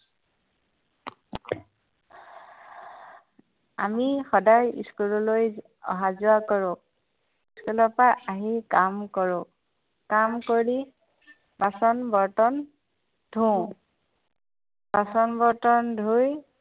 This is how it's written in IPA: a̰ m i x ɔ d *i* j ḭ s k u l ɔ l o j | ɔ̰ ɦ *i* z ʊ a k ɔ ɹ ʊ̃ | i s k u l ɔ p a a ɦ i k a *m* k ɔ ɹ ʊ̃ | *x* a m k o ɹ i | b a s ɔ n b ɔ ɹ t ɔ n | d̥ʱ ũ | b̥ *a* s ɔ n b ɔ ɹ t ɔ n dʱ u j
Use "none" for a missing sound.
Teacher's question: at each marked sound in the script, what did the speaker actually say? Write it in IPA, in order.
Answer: a, a, m, k, a

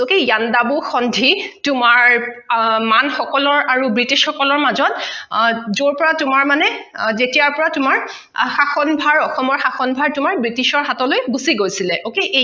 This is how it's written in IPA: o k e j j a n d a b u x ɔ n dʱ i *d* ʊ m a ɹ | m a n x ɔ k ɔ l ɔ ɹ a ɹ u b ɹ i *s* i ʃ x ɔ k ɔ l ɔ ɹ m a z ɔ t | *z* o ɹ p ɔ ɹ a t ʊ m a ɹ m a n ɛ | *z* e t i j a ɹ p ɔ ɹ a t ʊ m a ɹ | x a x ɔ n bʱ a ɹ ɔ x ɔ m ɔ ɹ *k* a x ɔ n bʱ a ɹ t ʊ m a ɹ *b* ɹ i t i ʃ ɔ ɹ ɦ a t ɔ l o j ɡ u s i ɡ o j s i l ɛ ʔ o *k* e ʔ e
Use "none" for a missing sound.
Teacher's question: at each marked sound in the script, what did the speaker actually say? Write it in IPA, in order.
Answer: t, t, z, z, x, b, k

